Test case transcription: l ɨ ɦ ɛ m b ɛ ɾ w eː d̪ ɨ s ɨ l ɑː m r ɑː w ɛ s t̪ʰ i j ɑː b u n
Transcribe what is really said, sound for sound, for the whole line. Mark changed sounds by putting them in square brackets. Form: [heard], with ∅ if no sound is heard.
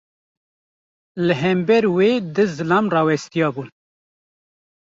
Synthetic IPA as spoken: l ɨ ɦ ɛ m b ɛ ɾ w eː d̪ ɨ [z] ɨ l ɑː m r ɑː w ɛ s [t̪] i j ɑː b u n